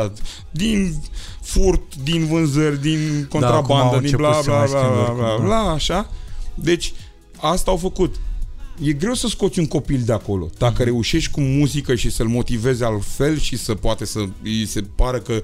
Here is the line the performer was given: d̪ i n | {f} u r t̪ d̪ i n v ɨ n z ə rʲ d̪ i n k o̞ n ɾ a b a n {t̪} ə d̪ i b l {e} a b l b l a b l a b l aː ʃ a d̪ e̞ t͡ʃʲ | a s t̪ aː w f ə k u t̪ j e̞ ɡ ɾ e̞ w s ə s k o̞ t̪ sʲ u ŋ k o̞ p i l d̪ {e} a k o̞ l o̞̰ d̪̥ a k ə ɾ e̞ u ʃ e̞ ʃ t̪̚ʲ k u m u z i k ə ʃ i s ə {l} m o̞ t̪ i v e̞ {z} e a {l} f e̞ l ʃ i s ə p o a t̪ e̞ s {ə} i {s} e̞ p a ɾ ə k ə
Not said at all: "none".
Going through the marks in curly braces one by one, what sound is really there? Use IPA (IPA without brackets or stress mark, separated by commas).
f, d̪, a, e, l, z, l, ə, s